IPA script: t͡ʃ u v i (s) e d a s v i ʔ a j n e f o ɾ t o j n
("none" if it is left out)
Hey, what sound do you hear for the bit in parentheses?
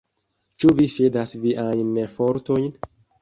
f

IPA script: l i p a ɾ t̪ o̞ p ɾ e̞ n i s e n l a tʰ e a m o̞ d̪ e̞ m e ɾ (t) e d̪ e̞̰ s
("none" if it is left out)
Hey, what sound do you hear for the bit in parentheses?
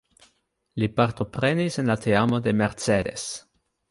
t͡s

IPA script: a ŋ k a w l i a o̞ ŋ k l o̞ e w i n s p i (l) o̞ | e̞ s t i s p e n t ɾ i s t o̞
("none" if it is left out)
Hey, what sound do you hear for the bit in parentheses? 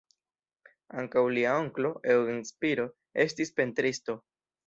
ɾ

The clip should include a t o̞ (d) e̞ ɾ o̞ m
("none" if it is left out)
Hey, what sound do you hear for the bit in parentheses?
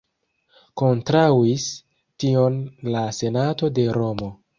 d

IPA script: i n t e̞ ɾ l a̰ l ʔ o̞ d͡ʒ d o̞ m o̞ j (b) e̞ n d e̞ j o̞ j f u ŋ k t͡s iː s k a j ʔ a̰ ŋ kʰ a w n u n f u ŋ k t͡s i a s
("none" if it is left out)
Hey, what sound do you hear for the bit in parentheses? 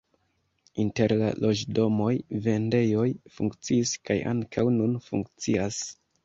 v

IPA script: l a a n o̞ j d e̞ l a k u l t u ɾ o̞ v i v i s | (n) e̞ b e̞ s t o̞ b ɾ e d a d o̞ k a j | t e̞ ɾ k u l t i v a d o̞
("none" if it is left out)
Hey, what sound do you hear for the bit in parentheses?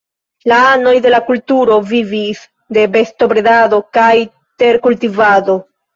d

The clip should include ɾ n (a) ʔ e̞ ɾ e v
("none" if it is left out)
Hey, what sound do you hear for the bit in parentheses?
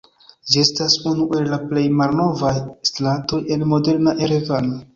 a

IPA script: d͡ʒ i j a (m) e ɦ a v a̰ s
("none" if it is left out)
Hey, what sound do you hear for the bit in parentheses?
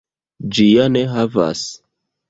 n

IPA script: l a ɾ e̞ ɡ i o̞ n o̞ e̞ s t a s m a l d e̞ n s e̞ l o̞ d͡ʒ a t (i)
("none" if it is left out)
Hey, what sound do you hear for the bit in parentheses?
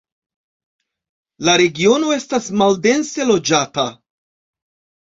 a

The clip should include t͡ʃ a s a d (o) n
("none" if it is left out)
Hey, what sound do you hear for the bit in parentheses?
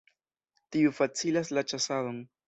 o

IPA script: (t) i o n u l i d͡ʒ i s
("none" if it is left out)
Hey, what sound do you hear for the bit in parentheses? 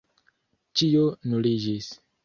t͡ʃ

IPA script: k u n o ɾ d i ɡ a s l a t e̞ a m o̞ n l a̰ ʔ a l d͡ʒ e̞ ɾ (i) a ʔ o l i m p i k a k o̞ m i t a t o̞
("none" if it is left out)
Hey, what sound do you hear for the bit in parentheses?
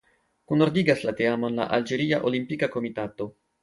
i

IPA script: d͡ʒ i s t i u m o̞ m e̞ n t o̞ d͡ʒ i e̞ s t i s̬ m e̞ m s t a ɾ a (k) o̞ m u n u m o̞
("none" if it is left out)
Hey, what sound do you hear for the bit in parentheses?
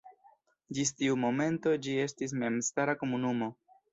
k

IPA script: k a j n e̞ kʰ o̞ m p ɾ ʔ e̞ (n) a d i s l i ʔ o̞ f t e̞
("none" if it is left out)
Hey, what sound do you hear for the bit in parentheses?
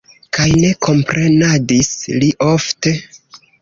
n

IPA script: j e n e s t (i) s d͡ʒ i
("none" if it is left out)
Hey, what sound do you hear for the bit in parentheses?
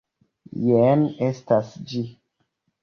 a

